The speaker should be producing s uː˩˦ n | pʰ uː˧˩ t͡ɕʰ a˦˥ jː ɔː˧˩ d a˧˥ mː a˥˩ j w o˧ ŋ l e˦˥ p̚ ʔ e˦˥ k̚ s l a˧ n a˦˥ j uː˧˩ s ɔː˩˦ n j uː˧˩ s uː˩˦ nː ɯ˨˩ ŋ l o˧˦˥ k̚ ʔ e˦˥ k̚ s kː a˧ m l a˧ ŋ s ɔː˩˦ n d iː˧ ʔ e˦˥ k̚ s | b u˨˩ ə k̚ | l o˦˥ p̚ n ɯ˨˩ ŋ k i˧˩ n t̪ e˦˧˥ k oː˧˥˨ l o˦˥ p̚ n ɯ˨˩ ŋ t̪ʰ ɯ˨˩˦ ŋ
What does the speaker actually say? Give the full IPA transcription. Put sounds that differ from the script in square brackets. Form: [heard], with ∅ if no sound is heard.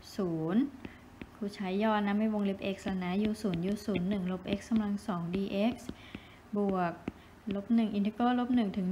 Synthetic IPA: s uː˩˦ n | [kʰ] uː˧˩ t͡ɕʰ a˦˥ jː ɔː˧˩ [n] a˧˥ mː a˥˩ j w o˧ ŋ l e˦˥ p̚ ʔ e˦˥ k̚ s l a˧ n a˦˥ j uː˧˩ s [uː˩˦] n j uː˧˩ s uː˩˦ nː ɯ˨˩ ŋ l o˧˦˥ [p̚] ʔ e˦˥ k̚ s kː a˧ m l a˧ ŋ s ɔː˩˦ [ŋ] d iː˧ ʔ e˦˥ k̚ s | b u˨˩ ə k̚ | l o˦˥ p̚ n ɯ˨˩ ŋ [ʔ] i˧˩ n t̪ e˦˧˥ k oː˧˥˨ l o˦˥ p̚ n ɯ˨˩ ŋ t̪ʰ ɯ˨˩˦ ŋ

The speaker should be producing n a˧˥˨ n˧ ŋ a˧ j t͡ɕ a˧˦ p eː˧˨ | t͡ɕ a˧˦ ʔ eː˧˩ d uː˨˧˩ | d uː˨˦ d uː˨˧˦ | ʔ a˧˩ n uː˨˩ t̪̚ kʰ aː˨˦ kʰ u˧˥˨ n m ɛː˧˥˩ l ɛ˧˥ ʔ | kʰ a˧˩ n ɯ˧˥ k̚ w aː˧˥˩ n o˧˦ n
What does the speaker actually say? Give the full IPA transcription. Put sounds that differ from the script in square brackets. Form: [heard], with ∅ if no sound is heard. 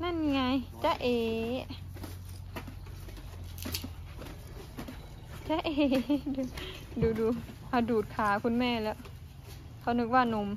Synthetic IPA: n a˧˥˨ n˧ ŋ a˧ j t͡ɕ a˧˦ [ʔ] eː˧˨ | t͡ɕ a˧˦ ʔ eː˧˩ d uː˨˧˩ | d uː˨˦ d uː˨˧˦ | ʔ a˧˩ [d] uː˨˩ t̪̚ kʰ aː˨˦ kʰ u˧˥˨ n m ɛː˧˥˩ l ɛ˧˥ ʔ | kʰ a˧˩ n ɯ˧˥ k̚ w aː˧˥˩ n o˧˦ [m]

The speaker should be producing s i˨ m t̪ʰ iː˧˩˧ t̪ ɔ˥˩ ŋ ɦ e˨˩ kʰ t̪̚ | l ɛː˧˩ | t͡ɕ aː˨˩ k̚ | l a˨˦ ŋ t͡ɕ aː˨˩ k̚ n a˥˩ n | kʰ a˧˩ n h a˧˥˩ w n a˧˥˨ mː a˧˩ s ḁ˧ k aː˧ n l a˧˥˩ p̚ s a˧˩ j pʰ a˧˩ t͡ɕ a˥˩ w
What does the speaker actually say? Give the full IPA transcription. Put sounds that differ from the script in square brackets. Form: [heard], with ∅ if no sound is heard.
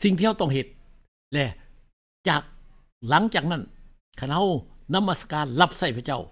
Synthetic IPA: s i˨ [ŋ] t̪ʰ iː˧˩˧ t̪ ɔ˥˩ ŋ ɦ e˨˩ [∅] t̪̚ | l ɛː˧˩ | t͡ɕ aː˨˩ k̚ | l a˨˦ ŋ t͡ɕ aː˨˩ k̚ n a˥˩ n | kʰ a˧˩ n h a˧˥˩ w n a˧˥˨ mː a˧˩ s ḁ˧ k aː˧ n l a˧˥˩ p̚ s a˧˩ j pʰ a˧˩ t͡ɕ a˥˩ w

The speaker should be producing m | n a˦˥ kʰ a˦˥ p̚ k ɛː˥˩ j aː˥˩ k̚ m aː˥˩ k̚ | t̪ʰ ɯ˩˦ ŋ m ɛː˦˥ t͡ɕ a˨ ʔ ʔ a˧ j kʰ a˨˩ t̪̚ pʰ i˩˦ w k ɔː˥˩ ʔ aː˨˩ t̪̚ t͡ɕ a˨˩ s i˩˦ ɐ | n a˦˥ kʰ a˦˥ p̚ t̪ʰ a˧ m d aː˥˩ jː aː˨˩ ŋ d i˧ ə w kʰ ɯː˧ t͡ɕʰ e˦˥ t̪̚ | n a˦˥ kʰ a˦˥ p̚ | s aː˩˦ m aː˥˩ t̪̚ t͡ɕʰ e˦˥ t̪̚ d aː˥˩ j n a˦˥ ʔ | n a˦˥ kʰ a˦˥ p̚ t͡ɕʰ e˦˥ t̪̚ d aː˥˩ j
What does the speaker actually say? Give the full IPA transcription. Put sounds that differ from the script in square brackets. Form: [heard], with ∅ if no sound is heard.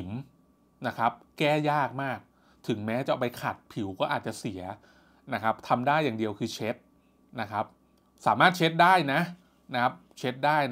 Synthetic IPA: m | n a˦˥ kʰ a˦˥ p̚ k ɛː˥˩ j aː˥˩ k̚ m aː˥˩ k̚ | t̪ʰ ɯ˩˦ ŋ m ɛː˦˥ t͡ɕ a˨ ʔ [p] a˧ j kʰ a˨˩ t̪̚ pʰ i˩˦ w k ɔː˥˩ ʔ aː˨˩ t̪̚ t͡ɕ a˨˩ s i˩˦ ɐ | n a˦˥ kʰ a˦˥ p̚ t̪ʰ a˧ m d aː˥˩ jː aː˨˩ ŋ d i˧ ə w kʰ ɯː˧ t͡ɕʰ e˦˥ t̪̚ | n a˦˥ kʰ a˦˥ p̚ | s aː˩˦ m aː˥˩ t̪̚ t͡ɕʰ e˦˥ t̪̚ d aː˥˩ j n a˦˥ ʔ | n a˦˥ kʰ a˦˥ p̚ t͡ɕʰ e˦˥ t̪̚ d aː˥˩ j

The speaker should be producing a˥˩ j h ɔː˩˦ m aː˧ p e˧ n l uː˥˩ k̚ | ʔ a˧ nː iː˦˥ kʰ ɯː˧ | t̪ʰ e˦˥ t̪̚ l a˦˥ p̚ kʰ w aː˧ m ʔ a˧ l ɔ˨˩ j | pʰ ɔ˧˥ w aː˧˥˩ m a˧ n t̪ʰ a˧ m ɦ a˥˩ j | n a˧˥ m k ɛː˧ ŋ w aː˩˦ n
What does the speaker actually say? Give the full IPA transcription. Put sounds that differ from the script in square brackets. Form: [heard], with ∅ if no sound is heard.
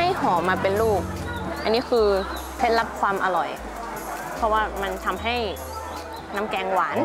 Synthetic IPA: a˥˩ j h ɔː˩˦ m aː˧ p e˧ n l uː˥˩ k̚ | ʔ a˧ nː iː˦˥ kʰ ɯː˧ | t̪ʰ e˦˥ t̪̚ l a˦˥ p̚ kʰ w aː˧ m ʔ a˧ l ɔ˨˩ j | pʰ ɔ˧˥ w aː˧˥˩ m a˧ n t̪ʰ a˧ m ɦ a˥˩ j | n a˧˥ m k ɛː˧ ŋ w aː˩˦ n

